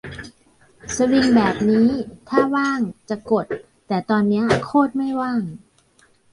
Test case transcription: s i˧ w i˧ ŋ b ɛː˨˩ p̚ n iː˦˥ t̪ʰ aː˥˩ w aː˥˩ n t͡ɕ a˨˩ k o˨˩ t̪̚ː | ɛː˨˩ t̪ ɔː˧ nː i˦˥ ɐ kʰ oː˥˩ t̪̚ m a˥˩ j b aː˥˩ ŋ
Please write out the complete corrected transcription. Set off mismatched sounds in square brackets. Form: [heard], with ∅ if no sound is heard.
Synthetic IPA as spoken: s [a˧] w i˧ ŋ b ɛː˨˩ p̚ n iː˦˥ t̪ʰ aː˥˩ w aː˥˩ [ŋ] t͡ɕ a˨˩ k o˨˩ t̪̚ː | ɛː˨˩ t̪ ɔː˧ nː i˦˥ ɐ kʰ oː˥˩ t̪̚ m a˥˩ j [w] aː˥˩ ŋ